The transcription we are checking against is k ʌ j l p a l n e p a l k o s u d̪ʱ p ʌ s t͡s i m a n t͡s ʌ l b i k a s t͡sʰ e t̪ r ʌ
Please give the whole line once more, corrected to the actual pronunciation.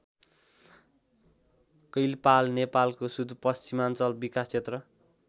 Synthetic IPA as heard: k ʌ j l p a l n e p a l k o s u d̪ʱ p ʌ s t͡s i m a n t͡s ʌ l b i k a s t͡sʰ e t̪ r ʌ